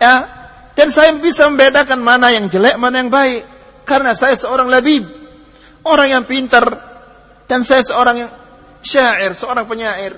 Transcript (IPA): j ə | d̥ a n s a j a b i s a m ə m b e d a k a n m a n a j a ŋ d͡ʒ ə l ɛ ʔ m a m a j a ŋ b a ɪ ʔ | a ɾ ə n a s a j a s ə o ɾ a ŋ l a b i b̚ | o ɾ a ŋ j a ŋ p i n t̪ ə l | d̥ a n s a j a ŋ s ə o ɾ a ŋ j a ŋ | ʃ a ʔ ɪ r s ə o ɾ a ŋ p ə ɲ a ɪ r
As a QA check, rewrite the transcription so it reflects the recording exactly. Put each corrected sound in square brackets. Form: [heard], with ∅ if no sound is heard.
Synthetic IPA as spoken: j [a] | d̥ a n s a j a b i s a m ə m b e d a k a n m a n a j a ŋ d͡ʒ ə l ɛ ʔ m a [n] a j a ŋ b a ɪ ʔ | a ɾ ə n a s a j a s ə o ɾ a ŋ l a b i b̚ | o ɾ a ŋ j a ŋ p i n t̪ ə [r] | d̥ a n s a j a [∅] s ə o ɾ a ŋ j a ŋ | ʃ a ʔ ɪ r s ə o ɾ a ŋ p ə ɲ a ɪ r